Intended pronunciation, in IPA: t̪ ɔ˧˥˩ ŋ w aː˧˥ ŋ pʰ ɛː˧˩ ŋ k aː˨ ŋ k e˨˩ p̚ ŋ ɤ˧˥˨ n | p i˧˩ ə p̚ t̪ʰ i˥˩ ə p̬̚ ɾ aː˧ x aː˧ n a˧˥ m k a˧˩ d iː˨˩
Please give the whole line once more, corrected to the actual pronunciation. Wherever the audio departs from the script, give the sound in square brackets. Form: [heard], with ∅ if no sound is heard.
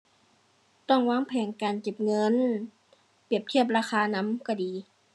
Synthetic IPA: t̪ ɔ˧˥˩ ŋ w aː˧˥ ŋ pʰ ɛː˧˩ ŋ k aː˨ [n] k e˨˩ p̚ ŋ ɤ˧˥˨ n | p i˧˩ ə p̚ t̪ʰ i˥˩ ə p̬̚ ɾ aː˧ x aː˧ n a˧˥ m k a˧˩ d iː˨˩